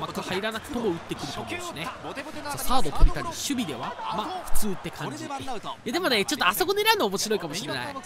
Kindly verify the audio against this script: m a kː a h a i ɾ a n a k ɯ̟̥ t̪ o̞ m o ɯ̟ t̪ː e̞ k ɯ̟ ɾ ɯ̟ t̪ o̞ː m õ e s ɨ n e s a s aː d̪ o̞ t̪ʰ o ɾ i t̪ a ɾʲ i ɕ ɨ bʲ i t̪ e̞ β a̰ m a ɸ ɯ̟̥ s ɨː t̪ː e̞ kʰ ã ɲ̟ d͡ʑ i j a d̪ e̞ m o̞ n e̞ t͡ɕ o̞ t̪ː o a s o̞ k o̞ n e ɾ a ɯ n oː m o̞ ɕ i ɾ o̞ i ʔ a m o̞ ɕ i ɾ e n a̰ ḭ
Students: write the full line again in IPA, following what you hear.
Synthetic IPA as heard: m a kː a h a i ɾ a n a k ɯ̟̥ t̪ o̞ m o ɯ̟ t̪ː e̞ k ɯ̟ ɾ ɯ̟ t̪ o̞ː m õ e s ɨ n e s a s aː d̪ o̞ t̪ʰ o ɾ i t̪ a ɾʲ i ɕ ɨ bʲ i d̪ e̞ β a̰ m a ɸ ɯ̟̥ t͡s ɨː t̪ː e̞ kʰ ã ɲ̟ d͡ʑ i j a d̪ e̞ m o̞ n e̞ t͡ɕ o̞ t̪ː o a s o̞ k o̞ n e ɾ a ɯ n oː m o̞ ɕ i ɾ o̞ i k a m o̞ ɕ i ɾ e n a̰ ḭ

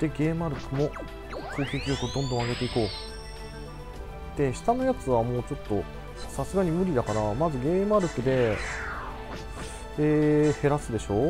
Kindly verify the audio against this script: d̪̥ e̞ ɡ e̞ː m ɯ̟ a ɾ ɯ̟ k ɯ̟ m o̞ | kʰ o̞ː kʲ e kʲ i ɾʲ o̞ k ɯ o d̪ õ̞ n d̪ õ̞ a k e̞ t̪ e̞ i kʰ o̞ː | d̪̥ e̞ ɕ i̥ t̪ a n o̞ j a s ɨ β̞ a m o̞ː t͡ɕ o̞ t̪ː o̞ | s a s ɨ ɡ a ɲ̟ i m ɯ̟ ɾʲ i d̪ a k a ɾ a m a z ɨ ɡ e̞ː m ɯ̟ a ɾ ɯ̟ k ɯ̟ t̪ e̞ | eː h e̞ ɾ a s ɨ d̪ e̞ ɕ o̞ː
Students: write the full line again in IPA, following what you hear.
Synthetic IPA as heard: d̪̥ e̞ ɡ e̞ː m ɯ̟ a ɾ ɯ̟ k ɯ̟ m o̞ | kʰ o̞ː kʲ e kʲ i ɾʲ o̞ k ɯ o d̪ õ̞ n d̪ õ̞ a ɡ e̞ t̪ e̞ i k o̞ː | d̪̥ e̞ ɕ i̥ t̪ a n o̞ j a t͡s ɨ β̞ a m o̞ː t͡ɕ o̞ t̪ː o̞ | s a s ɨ ɡ a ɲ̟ i m ɯ̟ ɾʲ i d̪ a k a ɾ a m a z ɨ ɡ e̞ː m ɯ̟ a ɾ ɯ̟ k ɯ̟ d̪ e̞ | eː h e̞ ɾ a s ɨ d̪ e̞ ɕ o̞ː

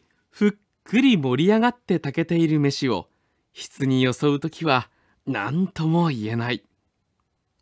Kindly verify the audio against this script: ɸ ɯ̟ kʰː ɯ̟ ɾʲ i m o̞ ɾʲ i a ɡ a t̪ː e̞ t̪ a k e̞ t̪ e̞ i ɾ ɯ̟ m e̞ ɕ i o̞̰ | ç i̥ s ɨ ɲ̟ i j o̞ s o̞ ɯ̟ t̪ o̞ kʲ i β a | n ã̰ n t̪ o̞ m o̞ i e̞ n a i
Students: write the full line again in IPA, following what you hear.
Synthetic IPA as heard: ɸ ɯ̟ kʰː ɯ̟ ɾʲ i m o̞ ɾʲ i a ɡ a t̪ː e̞ t̪ a k e̞ t̪ e̞ i ɾ ɯ̟ m e̞ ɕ i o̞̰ | ç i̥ t͡s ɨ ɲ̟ i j o̞ s o̞ ɯ̟ t̪ o̞ kʲ i β a | n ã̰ n t̪ o̞ m o̞ i e̞ n a i

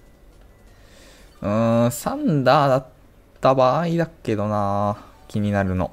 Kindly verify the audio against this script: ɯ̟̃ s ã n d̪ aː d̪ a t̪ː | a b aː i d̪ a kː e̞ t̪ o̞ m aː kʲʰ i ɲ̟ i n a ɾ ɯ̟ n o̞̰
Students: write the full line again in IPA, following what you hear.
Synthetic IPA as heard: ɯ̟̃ s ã n d̪ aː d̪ a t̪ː | a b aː i d̪ a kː e̞ d̪ o̞ n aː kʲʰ i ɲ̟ i n a ɾ ɯ̟ n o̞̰

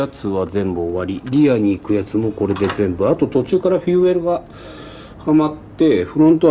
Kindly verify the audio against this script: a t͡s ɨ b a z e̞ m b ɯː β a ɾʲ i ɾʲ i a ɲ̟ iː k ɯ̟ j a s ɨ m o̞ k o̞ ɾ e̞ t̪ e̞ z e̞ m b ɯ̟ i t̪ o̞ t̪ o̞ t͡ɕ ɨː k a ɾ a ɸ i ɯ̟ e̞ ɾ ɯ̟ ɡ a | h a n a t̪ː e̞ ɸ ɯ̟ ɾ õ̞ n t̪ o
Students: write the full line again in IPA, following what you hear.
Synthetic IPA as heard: a t͡s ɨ β a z ẽ̞ m b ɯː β a ɾʲ i ɾʲ i a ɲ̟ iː k ɯ̟ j a t͡s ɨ m o̞ k o̞ ɾ e̞ d̪ e̞ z ẽ̞ m b ɯ̟ a t̪ o̞ t̪ o̞ t͡ɕ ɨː k a ɾ a ɸ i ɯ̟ e̞ ɾ ɯ̟ ɡ a | h a m a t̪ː e̞ ɸ ɯ̟ ɾ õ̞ n t̪ o

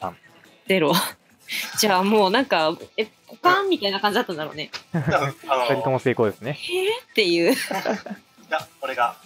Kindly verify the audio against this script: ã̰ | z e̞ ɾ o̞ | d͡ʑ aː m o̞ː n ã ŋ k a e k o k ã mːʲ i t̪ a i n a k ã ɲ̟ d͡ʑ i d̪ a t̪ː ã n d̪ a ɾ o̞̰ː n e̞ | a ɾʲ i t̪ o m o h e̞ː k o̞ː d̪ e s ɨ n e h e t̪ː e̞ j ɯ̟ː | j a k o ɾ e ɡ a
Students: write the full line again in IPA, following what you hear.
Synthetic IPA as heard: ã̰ | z e̞ ɾ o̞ | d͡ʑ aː m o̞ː n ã ŋ k a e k o k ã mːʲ i t̪ a i n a k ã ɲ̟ d͡ʑ i d̪ a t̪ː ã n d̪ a ɾ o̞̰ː n e̞ | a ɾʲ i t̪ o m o s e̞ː k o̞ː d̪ e s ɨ n e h e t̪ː e̞ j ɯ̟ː | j a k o ɾ e ɡ a

